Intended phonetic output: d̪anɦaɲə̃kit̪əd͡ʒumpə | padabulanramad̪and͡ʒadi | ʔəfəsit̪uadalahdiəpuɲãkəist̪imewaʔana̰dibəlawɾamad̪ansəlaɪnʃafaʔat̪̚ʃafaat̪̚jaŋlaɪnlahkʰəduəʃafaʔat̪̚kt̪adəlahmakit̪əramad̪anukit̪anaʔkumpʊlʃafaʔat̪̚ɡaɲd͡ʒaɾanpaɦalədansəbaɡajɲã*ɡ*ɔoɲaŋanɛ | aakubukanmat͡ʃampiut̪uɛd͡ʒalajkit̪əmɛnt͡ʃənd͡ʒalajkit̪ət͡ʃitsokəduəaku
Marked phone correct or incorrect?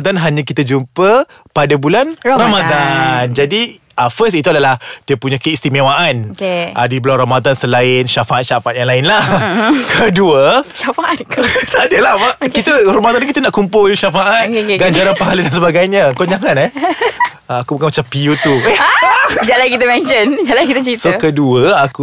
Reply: incorrect